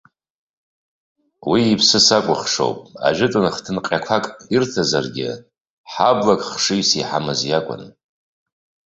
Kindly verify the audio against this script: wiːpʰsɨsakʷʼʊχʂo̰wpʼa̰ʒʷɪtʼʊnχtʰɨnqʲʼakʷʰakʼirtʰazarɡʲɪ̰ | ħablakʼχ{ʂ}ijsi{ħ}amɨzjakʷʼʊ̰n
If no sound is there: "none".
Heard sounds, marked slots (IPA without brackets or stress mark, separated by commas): ʂ, ħ